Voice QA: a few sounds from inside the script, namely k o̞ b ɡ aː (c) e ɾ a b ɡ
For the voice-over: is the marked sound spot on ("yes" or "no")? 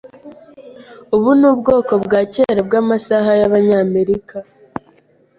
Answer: yes